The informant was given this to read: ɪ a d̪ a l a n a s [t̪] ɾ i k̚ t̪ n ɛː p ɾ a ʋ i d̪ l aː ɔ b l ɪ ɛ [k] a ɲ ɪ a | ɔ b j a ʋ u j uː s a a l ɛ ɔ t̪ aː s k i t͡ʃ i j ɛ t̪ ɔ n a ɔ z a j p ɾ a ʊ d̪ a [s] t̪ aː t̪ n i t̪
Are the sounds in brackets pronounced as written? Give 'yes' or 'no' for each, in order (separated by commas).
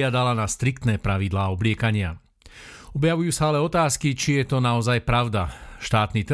yes, yes, no